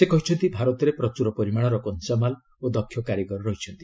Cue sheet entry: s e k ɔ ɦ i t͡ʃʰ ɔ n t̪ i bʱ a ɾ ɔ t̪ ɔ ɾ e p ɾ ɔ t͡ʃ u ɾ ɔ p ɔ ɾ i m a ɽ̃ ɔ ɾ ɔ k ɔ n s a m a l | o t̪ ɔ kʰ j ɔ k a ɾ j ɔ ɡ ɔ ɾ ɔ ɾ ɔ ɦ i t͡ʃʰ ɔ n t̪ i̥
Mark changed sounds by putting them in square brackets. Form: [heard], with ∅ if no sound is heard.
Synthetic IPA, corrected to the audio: s e k ɔ ɦ i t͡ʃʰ ɔ n t̪ i bʱ a ɾ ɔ t̪ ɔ ɾ e p ɾ ɔ t͡ʃ u ɾ ɔ p ɔ ɾ i m a ɽ̃ ɔ ɾ ɔ k ɔ n s a m a l | o [d̪] ɔ kʰ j ɔ k a ɾ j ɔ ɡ ɔ ɾ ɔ ɾ ɔ ɦ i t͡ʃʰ ɔ n t̪ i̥